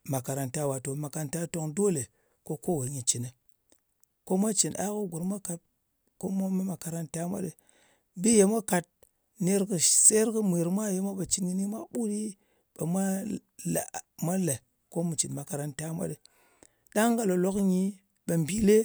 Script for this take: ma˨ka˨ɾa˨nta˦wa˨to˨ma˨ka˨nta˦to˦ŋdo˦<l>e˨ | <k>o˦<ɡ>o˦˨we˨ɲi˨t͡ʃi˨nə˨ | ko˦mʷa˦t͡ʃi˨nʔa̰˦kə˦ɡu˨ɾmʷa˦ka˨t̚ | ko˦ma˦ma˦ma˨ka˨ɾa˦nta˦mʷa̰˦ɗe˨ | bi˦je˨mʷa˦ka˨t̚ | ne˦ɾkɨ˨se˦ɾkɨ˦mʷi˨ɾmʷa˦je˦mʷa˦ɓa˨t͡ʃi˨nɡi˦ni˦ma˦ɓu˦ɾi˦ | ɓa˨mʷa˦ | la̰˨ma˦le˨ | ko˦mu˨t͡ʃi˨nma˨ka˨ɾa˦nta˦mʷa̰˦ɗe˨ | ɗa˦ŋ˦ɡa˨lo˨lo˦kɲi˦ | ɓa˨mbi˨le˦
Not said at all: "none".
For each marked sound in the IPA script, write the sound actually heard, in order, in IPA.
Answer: l, k, k

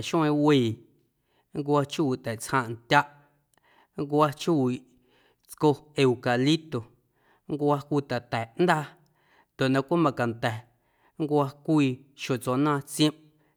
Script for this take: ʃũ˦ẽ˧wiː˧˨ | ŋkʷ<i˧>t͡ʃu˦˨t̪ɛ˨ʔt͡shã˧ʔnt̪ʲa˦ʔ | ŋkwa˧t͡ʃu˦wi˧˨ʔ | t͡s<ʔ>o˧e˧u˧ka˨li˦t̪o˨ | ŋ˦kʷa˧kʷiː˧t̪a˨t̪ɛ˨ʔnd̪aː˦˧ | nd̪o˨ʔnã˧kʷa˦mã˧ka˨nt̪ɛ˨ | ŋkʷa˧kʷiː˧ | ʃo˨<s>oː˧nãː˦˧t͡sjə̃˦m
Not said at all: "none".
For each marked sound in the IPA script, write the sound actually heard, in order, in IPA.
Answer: a˧, k, t͡s

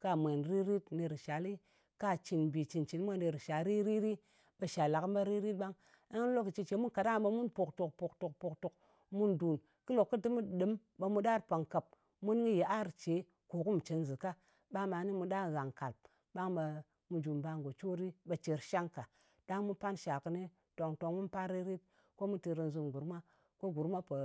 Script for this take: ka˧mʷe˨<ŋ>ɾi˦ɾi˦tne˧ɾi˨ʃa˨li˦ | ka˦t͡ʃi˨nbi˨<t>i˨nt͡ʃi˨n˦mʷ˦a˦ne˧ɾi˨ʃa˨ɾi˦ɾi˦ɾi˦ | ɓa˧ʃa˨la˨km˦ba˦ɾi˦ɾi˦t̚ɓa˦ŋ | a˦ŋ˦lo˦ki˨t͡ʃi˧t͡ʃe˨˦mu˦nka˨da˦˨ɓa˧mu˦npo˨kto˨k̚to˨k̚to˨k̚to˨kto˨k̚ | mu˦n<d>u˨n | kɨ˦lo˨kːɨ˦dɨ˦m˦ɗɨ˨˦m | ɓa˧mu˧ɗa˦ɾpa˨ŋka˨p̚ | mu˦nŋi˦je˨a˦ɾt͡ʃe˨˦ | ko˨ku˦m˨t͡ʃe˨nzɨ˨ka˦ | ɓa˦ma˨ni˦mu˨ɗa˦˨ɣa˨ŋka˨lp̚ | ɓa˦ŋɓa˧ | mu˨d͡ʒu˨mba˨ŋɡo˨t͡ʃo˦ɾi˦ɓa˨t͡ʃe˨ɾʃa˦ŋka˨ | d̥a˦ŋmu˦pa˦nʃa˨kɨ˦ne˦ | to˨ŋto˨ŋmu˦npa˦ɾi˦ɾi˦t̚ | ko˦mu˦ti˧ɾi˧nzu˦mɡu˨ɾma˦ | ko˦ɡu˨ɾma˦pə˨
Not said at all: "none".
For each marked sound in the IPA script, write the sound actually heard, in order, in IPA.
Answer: n, t͡ʃ, d

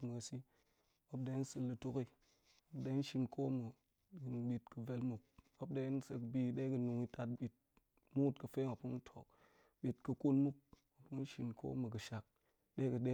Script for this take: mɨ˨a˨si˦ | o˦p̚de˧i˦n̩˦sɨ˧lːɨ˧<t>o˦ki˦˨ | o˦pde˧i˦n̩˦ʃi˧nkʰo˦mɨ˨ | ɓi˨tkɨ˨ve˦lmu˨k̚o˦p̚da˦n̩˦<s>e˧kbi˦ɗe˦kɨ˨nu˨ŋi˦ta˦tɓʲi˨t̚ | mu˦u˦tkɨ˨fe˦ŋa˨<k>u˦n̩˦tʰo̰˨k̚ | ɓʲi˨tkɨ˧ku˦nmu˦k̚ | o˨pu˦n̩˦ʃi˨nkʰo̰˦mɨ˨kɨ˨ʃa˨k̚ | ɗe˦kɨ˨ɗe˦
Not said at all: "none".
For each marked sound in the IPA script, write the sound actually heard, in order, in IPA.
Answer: t, s, p

